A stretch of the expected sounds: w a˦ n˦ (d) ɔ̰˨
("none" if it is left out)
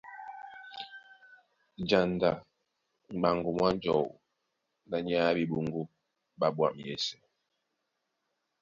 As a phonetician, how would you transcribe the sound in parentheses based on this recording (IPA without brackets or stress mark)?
d͡ʒ